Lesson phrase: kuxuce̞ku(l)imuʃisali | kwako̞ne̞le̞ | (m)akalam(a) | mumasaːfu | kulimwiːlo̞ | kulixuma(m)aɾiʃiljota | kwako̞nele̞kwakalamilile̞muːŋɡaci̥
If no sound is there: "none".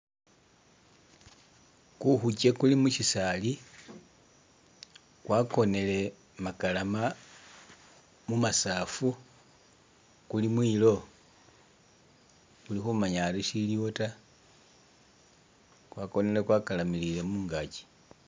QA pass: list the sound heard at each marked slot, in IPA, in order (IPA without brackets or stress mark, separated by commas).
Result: l, m, a, ɲ